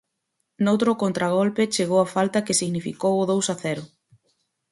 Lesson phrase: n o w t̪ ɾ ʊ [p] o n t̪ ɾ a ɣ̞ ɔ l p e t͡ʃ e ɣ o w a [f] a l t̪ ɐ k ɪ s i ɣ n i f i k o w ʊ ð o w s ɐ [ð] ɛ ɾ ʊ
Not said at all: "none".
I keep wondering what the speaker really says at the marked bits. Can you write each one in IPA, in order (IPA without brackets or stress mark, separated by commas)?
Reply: k, f, θ